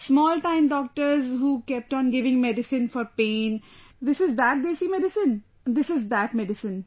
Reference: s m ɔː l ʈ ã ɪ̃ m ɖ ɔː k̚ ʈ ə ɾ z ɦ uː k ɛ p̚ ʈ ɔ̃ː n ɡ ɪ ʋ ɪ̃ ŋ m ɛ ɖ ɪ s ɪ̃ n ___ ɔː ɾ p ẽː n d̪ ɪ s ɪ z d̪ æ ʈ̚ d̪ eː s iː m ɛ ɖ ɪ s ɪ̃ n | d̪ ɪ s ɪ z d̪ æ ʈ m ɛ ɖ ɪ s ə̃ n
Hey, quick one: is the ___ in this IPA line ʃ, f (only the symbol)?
f